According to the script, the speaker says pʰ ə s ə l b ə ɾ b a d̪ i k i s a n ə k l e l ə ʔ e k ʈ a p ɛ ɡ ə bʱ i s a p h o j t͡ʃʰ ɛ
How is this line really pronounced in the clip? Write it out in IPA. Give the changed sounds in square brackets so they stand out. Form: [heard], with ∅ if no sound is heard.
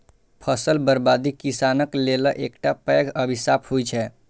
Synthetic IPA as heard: pʰ ə s ə l b ə ɾ b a d̪ i k i s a n ə k l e l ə ʔ e k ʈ a p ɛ ɡ ə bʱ i s a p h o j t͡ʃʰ ɛ